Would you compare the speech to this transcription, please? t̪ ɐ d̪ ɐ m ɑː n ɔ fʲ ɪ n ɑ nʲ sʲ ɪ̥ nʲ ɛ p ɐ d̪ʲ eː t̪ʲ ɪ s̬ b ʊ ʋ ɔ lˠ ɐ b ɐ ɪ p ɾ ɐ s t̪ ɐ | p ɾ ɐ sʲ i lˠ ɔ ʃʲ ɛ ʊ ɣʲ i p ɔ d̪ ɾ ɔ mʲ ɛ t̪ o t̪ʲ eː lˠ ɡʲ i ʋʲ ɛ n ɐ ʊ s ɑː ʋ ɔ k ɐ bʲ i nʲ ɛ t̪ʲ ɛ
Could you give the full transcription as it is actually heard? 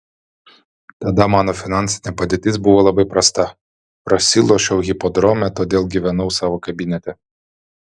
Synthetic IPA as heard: t̪ ɐ d̪ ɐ m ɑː n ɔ fʲ ɪ n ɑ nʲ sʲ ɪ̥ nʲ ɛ p ɐ d̪ʲ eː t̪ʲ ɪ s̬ b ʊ ʋ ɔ lˠ ɐ b ɐ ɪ p ɾ ɐ s t̪ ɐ | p ɾ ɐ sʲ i lˠ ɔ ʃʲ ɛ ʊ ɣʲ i p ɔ d̪ ɾ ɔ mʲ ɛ t̪ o d̪ʲ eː lˠ ɡʲ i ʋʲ ɛ n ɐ ʊ s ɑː ʋ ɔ k ɐ bʲ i nʲ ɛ t̪ʲ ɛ

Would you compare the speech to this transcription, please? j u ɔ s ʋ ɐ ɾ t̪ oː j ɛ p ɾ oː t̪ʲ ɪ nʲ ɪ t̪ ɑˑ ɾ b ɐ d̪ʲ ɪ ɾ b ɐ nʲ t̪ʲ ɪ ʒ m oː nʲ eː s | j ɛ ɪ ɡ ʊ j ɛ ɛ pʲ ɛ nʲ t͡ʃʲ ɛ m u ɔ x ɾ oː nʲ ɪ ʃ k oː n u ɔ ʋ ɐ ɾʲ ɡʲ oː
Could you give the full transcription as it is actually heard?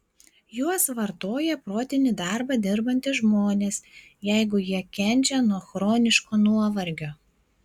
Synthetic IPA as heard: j u ɔ s ʋ ɐ ɾ t̪ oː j ɛ p ɾ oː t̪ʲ ɪ nʲ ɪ d̪ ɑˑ ɾ b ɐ d̪ʲ ɪ ɾ b ɐ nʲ t̪ʲ ɪ ʒ m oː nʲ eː s | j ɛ ɪ ɡ ʊ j i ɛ kʲ ɛ nʲ t͡ʃʲ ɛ n u ɔ x ɾ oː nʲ ɪ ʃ k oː n u ɔ ʋ ɐ ɾʲ ɡʲ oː

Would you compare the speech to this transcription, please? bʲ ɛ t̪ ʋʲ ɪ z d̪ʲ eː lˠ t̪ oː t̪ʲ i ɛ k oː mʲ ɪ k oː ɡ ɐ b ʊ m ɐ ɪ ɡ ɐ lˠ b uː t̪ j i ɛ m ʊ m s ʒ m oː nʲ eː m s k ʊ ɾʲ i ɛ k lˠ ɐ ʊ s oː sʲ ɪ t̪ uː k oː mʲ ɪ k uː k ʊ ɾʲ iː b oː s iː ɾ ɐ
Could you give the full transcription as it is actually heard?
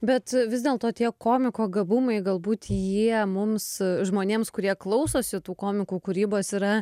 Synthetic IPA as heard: bʲ ɛ t̪ ʋʲ ɪ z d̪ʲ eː lˠ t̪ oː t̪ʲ i ɛ k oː mʲ ɪ k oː ɡ ɐ b ʊ m ɐ ɪ ɡ ɐ lˠ b uː t̪ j i ɛ m ʊ m s ʒ m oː nʲ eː m s k ʊ ɾʲ i ɛ k lˠ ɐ ʊ s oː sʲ ɪ t̪ uː k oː mʲ ɪ k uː k ʊ ɾʲ iː b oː s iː ɾ ɐ

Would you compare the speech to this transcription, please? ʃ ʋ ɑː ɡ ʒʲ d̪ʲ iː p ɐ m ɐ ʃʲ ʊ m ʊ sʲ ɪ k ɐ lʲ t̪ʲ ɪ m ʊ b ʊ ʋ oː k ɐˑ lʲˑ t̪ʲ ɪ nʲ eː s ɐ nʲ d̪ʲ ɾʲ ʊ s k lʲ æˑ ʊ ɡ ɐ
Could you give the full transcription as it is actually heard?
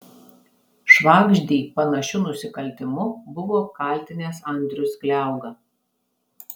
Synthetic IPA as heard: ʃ ʋ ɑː ɡ ʒʲ d̪ʲ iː p ɐ n ɐ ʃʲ ʊ n ʊ sʲ ɪ k ɐ lʲ t̪ʲ ɪ m ʊ b ʊ ʋ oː k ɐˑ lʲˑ t̪ʲ ɪ nʲ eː s ɐ nʲ d̪ʲ ɾʲ ʊ s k lʲ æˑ ʊ ɡ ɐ

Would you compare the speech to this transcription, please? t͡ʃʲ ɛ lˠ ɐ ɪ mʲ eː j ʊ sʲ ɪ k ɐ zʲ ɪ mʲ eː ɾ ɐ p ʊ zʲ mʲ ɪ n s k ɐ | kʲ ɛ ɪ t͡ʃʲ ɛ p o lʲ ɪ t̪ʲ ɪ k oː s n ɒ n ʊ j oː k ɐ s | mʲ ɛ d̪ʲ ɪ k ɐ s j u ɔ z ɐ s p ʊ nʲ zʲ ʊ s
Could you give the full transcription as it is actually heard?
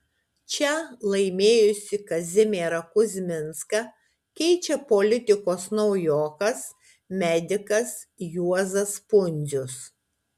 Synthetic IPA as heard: t͡ʃʲ ɛ lˠ ɐ ɪ mʲ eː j ʊ sʲ ɪ k ɐ zʲ ɪ mʲ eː ɾ ɐ k ʊ zʲ mʲ ɪ n s k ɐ | kʲ ɛ ɪ t͡ʃʲ ɛ p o lʲ ɪ t̪ʲ ɪ k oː s n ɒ ʊ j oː k ɐ s | mʲ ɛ d̪ʲ ɪ k ɐ s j u ɔ z ɐ s p ʊ nʲ zʲ ʊ s

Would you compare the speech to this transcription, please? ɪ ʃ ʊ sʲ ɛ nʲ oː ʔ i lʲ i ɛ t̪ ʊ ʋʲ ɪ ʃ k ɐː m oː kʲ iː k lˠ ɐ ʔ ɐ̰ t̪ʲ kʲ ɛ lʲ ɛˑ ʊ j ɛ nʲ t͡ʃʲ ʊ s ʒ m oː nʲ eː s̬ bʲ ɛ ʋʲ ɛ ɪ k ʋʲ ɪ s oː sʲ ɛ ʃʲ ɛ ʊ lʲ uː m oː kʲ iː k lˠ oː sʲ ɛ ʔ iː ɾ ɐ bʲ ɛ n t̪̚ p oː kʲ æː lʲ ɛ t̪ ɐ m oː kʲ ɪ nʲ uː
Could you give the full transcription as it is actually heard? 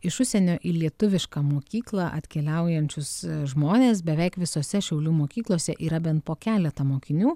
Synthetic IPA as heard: ɪ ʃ ʊ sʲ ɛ nʲ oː ʔ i lʲ i ɛ t̪ ʊ ʋʲ ɪ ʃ k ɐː m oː kʲ iː k lˠ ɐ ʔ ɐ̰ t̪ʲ kʲ ɛ lʲ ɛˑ ʊ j ɛ nʲ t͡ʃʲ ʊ s ʒ m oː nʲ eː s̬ bʲ ɛ ʋʲ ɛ ɪ k ʋʲ ɪ s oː sʲ ɛ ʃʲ ɛ ʊ lʲ uː m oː kʲ iː k lˠ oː sʲ ɛ ʔ iː ɾ ɐ bʲ ɛ n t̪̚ p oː kʲ æː lʲ ɛ t̪ ɐ m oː kʲ ɪ nʲ uː

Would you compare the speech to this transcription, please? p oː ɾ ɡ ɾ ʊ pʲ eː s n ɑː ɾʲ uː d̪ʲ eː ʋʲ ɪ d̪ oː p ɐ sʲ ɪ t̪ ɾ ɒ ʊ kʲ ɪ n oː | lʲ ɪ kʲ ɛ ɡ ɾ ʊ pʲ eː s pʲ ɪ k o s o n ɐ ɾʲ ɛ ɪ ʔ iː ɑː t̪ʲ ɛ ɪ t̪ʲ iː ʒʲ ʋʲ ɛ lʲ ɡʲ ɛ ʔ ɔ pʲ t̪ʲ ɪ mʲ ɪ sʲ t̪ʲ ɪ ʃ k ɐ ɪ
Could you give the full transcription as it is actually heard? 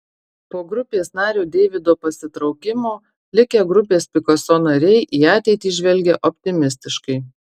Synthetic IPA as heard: p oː ɡ ɾ ʊ pʲ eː s n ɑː ɾʲ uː d̪ʲ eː ʋʲ ɪ d̪ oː p ɐ sʲ ɪ t̪ ɾ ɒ ʊ kʲ ɪ m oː | lʲ ɪ kʲ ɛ ɡ ɾ ʊ pʲ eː s pʲ ɪ k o s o n ɐ ɾʲ ɛ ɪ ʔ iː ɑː t̪ʲ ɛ ɪ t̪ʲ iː ʒʲ ʋʲ ɛ lʲ ɡʲ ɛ ʔ ɔ pʲ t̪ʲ ɪ mʲ ɪ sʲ t̪ʲ ɪ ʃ k ɐ ɪ

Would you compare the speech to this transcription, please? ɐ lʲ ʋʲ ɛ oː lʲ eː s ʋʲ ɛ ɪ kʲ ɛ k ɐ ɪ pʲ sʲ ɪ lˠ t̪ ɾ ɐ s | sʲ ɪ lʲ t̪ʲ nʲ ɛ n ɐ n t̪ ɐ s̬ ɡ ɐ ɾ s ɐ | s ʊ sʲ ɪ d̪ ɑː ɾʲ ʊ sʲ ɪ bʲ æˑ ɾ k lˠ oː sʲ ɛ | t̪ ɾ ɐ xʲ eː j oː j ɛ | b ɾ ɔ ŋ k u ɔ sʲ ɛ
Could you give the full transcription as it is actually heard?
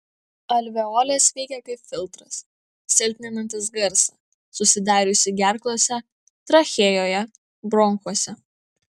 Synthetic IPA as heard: ɐ lʲ ʋʲ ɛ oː lʲ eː s ʋʲ ɛ ɪ kʲ ɛ k ɐ ɪ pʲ fʲ ɪ lˠ t̪ ɾ ɐ s | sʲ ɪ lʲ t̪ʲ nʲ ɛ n ɐ n t̪ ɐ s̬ ɡ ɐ ɾ s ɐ | s ʊ sʲ ɪ d̪ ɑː ɾʲ ʊ sʲ ɪ ɡʲ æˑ ɾ k lˠ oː sʲ ɛ | t̪ ɾ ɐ xʲ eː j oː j ɛ | b ɾ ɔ ŋ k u ɔ sʲ ɛ

